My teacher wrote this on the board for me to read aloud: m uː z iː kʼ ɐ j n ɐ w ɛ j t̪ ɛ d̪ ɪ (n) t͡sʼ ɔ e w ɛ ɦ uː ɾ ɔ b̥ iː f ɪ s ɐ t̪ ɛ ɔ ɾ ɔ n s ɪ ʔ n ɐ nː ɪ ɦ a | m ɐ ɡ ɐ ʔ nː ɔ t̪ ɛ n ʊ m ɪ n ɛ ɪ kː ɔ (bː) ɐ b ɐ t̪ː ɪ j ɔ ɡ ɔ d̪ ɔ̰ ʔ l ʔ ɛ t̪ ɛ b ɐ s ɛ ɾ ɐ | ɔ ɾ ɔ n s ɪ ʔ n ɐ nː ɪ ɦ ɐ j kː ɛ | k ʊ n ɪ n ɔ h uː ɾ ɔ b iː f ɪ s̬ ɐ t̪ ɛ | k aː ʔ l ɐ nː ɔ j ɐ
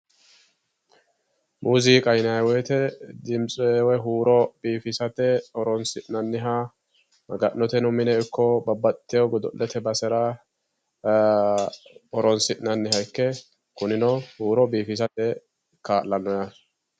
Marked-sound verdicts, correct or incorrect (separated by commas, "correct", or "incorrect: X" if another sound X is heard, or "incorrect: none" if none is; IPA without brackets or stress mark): incorrect: m, incorrect: b